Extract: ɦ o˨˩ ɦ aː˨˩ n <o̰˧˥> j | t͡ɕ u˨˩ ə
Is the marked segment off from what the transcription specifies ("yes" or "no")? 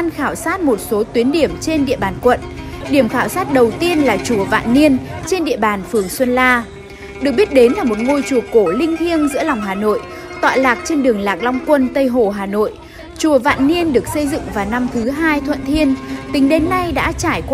yes